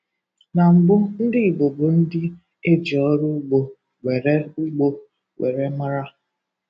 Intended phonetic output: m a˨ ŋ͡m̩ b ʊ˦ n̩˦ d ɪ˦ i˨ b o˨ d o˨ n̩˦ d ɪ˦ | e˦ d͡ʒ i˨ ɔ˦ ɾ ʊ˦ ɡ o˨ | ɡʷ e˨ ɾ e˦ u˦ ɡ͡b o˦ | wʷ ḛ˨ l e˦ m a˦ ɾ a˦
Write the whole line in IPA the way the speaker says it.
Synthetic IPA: n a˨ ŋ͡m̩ ɡ͡b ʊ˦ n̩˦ d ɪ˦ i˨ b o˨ b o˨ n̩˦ d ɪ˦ | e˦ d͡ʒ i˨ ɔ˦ ɾ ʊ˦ ɡ͡b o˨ | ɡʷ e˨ ɾ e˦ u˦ ɡ͡b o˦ | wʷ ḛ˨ ɾ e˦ m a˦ ɾ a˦

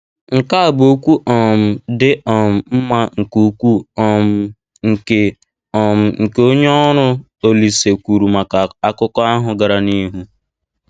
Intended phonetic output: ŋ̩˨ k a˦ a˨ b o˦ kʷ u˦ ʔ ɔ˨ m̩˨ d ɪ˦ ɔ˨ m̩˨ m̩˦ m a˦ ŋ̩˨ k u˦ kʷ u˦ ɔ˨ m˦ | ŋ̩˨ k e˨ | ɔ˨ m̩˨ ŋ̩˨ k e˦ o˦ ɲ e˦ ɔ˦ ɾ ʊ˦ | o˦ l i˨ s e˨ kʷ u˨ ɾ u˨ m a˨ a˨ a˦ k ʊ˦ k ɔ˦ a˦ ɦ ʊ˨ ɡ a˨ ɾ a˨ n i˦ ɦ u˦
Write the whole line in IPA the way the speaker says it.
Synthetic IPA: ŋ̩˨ k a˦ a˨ b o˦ kʷ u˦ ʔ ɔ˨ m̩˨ d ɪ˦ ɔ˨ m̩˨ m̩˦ m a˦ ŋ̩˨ k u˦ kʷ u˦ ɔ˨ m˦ | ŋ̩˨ k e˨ | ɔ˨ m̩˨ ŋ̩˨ k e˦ o˦ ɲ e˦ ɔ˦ ɾ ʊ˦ | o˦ l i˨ s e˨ kʷ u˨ ɾ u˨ m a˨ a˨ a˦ k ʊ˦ k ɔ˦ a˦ ɦ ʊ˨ ɡ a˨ ɾ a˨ n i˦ ɦ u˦

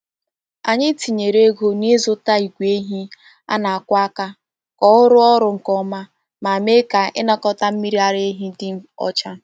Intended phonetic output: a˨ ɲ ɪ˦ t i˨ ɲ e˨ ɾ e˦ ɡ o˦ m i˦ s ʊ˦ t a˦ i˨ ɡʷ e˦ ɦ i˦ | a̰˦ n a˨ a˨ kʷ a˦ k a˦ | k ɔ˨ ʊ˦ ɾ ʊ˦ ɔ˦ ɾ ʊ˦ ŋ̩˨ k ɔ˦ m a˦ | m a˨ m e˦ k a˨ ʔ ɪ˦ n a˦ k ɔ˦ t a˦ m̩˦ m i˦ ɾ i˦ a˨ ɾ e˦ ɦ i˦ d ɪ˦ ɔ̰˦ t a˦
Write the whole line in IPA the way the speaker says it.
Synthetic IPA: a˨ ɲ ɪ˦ t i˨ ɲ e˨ ɾ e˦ ɡ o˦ n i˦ z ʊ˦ t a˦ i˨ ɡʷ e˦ ɦ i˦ | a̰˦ n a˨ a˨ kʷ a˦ k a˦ | k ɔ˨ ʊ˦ ɾ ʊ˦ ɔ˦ ɾ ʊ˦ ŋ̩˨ k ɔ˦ m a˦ | m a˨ m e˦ k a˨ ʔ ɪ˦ n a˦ k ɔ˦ t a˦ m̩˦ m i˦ ɾ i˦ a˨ ɾ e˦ ɦ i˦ d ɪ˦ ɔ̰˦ t͡ʃ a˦

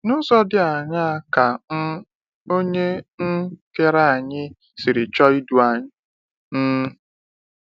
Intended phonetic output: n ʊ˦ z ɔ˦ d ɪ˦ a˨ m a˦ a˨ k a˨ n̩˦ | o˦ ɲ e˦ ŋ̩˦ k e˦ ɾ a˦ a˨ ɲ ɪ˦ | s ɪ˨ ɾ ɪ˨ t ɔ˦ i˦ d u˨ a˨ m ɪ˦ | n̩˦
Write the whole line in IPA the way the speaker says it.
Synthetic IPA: n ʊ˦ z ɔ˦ d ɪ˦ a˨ ɲ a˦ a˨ k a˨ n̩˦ | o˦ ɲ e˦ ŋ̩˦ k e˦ ɾ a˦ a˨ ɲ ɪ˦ | s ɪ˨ ɾ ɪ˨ t͡ʃ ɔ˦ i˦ d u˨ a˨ ɲ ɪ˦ | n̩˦

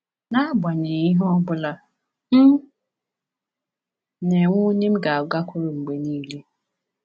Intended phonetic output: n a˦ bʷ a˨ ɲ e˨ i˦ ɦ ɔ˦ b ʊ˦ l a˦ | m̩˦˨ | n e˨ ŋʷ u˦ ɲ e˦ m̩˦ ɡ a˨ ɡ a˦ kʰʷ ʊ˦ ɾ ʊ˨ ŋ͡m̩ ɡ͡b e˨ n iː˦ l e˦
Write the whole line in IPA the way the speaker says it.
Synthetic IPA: n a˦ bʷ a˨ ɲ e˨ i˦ ɦ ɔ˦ b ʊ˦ l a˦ | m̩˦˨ | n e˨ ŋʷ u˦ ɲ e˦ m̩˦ ɡ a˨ ɡ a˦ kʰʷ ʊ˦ ɾ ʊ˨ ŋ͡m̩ ɡ͡b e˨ n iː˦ l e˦

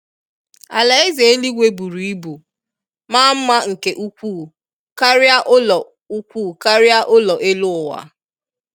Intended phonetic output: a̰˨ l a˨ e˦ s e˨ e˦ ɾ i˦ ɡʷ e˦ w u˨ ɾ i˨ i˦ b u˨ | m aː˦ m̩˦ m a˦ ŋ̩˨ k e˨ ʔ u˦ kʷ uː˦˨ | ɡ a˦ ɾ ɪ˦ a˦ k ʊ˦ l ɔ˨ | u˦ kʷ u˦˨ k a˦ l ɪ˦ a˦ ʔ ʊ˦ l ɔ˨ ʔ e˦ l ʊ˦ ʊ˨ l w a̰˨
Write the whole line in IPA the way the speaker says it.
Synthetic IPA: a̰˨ l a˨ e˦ z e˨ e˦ l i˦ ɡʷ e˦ b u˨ ɾ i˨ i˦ b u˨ | m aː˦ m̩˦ m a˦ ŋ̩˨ k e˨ ʔ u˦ kʷ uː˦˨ | k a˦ ɾ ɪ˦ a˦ ʔ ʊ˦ l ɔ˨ | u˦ kʷ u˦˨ k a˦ ɾ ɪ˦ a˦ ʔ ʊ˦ l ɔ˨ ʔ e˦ l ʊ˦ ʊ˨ w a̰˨

